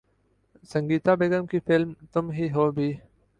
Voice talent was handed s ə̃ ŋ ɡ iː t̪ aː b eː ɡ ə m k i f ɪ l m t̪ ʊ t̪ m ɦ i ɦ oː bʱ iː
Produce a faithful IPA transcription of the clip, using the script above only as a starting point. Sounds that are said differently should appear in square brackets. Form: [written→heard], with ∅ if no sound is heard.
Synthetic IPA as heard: s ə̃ ŋ ɡ iː t̪ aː b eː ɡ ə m k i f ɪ l m t̪ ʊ [t̪→∅] m ɦ i ɦ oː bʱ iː